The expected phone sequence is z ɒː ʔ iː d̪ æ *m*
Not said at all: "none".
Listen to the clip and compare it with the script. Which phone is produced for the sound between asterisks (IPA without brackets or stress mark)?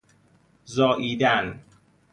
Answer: n